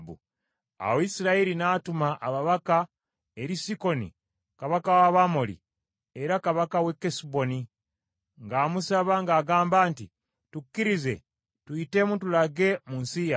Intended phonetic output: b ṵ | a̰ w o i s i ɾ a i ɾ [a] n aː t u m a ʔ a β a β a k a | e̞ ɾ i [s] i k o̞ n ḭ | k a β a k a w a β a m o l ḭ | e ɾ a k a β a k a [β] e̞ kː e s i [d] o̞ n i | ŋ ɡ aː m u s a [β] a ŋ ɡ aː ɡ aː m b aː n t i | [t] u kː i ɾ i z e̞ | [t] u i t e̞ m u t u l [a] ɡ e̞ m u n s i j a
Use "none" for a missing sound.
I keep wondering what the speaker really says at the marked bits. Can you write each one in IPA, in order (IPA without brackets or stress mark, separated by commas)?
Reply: i, s, w, b, β, t, t, a